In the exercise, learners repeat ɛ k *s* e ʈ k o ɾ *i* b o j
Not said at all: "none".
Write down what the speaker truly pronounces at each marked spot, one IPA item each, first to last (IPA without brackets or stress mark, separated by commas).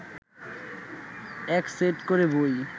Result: s, e